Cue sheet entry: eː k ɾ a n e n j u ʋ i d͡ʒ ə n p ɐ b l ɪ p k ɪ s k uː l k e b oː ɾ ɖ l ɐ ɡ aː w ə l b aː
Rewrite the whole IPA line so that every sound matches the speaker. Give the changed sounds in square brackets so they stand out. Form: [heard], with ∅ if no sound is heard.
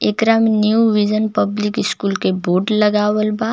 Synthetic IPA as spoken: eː k ɾ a [m] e n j u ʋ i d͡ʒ ə n p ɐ b l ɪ [∅] k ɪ s k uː l k e b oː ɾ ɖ l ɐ ɡ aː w ə l b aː